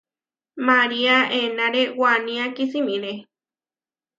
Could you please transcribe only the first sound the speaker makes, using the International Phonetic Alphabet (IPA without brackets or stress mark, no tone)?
m